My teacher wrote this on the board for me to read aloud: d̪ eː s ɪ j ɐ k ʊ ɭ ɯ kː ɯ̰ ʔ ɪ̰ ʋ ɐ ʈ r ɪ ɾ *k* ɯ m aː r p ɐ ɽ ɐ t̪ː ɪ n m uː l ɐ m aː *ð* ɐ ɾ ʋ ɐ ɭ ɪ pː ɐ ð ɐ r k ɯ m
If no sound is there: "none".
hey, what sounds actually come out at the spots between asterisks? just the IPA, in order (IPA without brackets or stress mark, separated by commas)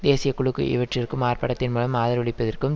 k, ð